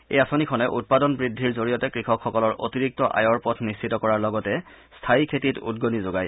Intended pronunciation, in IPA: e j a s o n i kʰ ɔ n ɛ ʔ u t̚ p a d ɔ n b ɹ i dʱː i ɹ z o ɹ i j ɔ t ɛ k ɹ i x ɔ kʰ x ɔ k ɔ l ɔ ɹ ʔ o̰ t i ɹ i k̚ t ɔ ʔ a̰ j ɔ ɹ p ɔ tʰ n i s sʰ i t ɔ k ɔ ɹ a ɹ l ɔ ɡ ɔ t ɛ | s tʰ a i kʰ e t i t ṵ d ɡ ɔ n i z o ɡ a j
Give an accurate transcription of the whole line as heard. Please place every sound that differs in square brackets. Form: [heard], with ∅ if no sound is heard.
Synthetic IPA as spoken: e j a s o n i kʰ ɔ n ɛ ʔ u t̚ p a d ɔ n b ɹ i dʱː i ɹ z o ɹ i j ɔ t ɛ k ɹ i x ɔ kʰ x ɔ k ɔ l ɔ ɹ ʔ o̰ t i ɹ i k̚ t ɔ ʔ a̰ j ɔ ɹ p ɔ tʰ n i s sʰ i t ɔ k ɔ ɹ a ɹ l ɔ ɡ ɔ t ɛ | s tʰ a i kʰ e t i t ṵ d ɡ [o] n i z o ɡ a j